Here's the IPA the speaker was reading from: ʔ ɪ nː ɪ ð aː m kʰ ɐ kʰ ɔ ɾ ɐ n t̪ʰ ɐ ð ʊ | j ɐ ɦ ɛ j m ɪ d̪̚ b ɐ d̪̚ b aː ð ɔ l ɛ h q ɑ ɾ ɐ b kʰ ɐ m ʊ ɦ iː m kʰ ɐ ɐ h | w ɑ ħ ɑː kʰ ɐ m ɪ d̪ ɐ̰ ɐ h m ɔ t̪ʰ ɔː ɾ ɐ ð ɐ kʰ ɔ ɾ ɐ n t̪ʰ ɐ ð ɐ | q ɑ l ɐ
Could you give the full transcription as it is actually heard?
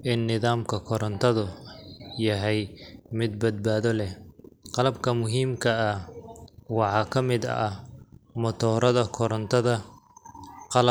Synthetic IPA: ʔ ɪ nː ɪ ð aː m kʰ ɐ kʰ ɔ ɾ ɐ n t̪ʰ ɐ ð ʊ | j ɐ ɦ ɛ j m ɪ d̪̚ b ɐ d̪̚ b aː ð ɔ l ɛ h q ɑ l ɐ b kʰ ɐ m ʊ ɦ iː m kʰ ɐ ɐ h | w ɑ ħ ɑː kʰ ɐ m ɪ d̪ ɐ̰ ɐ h m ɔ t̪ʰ ɔː ɾ ɐ ð ɐ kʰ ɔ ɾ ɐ n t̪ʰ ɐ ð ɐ | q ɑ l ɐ

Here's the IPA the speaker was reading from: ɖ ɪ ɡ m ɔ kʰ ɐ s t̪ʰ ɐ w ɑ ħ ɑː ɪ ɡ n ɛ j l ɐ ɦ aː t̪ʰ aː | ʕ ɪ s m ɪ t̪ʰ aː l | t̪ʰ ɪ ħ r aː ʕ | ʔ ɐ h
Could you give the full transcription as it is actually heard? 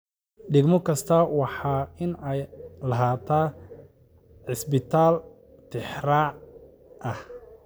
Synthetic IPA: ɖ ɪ ɡ m ɔ kʰ ɐ s t̪ʰ ɐ w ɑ ħ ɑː ɪ n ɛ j l ɐ ɦ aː t̪ʰ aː | ʕ ɪ s b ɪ t̪ʰ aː l | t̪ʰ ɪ ħ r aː ʕ | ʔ ɐ h

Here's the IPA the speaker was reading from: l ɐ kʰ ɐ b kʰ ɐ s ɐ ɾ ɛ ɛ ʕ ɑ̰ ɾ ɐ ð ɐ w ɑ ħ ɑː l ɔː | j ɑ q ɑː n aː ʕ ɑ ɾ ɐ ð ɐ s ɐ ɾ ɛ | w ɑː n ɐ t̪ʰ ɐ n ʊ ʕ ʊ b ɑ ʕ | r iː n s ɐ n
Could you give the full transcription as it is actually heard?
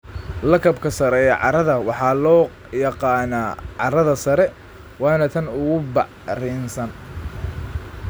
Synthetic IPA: l ɐ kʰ ɐ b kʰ ɐ s ɐ ɾ ɛ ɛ ʕ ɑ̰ ɾ ɐ ð ɐ w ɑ ħ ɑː l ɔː | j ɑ q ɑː n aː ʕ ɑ ɾ ɐ ð ɐ s ɐ ɾ ɛ | w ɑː n ɐ t̪ʰ ɐ n ʊ ɣ ʊ b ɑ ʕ | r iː n s ɐ n

